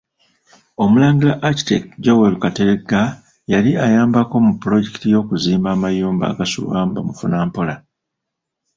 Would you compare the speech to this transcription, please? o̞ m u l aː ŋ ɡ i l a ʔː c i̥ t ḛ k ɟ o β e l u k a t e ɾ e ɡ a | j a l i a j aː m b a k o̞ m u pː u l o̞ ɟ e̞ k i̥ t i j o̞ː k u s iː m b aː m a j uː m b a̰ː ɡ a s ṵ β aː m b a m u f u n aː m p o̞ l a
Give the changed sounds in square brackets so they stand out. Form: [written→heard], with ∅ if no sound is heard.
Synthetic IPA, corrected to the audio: o̞ m u l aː ŋ ɡ i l a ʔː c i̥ t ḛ k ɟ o [β→w] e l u k a t e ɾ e ɡ a | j a l i a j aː m b a k o̞ m u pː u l o̞ ɟ e̞ k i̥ t i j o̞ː k u [s→z] iː m b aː m a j uː m b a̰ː ɡ a s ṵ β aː m b a m u f u n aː m p o̞ l a

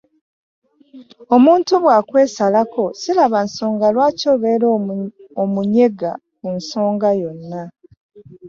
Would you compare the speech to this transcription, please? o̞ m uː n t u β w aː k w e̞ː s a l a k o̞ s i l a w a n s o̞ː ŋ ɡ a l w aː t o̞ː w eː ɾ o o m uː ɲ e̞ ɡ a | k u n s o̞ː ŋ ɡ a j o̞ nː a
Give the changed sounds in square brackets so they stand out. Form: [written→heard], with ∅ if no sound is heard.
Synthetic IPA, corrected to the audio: o̞ m uː n t u β w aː k w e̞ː s a l a k o̞ s i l a [w→β] a n s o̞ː ŋ ɡ a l w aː [t→c] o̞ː [w→β] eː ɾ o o m [uː→u] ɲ e̞ ɡ a | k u n s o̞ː ŋ ɡ a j o̞ nː a

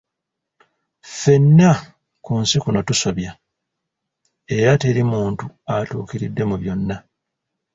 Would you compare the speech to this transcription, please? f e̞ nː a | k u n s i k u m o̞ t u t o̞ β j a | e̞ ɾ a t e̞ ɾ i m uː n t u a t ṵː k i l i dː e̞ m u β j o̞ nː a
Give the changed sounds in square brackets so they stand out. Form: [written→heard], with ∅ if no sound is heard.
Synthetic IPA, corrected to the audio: f e̞ nː a | k u n s i k u [m→n] o̞ t u [t→s] o̞ β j a | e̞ ɾ a t e̞ ɾ i m uː n t u a t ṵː k i [l→ɾ] i dː e̞ m u β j o̞ nː a

